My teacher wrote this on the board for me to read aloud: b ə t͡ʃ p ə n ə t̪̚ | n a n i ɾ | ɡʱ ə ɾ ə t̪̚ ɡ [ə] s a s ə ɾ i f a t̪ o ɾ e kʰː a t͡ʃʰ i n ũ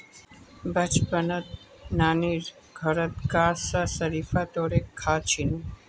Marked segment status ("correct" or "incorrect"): incorrect